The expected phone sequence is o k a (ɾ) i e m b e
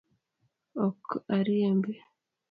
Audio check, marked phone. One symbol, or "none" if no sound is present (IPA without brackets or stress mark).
ɾ